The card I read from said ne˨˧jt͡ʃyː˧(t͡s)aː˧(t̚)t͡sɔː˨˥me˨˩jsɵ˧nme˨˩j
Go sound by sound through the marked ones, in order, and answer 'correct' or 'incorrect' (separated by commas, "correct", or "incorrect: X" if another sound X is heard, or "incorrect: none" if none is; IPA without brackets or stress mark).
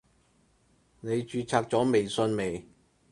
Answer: incorrect: t͡sʰ, incorrect: k̚